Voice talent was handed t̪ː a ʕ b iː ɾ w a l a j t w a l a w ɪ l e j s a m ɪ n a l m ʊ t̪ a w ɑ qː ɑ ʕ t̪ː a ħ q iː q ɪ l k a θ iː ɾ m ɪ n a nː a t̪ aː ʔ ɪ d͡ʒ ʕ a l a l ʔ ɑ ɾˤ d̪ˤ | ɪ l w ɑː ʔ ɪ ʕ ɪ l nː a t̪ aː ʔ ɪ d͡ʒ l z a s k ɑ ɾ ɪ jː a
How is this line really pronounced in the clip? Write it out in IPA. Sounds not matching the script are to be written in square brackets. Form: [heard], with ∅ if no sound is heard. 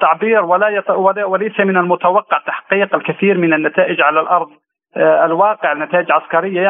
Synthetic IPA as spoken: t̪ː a ʕ b iː ɾ w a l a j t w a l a w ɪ l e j s a m ɪ n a l m ʊ t̪ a w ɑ qː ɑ ʕ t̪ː a ħ q iː q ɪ l k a θ iː ɾ m ɪ n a nː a t̪ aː ʔ ɪ d͡ʒ ʕ a l a l ʔ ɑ ɾˤ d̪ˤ | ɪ l w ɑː [q] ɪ ʕ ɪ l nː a t̪ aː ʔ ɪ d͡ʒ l [ʕ] a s k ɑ ɾ ɪ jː a